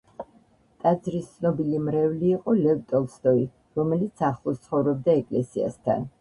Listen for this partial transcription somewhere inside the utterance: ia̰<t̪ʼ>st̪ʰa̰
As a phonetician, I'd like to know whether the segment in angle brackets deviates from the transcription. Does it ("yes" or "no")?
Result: yes